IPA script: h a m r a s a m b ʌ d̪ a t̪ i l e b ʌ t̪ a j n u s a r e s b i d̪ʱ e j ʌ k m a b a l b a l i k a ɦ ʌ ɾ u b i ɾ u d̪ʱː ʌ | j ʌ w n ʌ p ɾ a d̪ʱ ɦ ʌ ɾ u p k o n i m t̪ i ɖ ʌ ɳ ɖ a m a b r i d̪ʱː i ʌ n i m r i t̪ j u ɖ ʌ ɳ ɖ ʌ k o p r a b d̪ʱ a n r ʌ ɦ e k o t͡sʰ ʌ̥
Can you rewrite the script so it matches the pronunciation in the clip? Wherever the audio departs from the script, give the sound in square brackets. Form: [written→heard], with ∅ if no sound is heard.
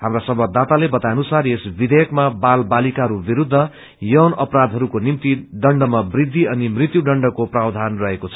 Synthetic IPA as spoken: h a m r a s [a→ʌ] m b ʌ d̪ a t̪ [i→a] l e b ʌ t̪ a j n u s a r e s b i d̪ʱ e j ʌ k m a b a l b a l i k a ɦ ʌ ɾ u b i ɾ u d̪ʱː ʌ | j ʌ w n ʌ p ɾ a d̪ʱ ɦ ʌ ɾ u [p→∅] k o n i m t̪ i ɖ ʌ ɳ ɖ [a→ʌ] m a b r i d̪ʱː i ʌ n i m r i t̪ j u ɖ ʌ ɳ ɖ ʌ k o p r a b d̪ʱ a n r ʌ ɦ e k o t͡sʰ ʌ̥